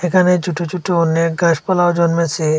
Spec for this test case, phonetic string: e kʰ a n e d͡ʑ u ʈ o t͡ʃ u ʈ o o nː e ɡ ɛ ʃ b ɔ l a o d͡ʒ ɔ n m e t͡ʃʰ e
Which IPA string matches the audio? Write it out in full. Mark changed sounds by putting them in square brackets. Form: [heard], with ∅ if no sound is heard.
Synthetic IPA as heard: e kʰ a n e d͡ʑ u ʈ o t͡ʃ u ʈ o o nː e ɡ [a] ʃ [p] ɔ l a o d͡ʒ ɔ n m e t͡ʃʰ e